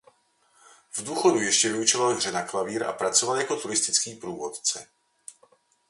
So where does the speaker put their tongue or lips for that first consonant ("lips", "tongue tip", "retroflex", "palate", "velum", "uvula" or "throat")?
lips